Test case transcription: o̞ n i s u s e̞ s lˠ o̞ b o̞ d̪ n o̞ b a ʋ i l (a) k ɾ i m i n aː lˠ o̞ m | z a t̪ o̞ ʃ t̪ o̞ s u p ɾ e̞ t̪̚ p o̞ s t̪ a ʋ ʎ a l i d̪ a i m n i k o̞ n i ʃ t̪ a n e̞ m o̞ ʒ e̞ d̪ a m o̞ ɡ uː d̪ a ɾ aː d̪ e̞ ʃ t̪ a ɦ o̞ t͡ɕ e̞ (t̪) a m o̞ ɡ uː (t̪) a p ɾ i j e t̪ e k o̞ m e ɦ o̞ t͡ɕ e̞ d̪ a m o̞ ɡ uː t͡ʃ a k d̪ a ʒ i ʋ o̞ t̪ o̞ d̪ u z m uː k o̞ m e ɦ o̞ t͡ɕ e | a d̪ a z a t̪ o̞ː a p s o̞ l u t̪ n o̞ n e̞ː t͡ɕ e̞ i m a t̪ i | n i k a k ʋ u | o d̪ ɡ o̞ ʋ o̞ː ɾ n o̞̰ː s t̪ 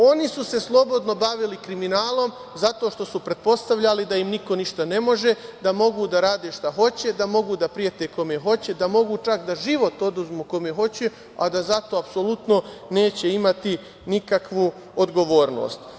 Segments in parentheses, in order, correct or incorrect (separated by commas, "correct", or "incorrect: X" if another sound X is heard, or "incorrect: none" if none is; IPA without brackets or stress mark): incorrect: i, incorrect: d̪, incorrect: d̪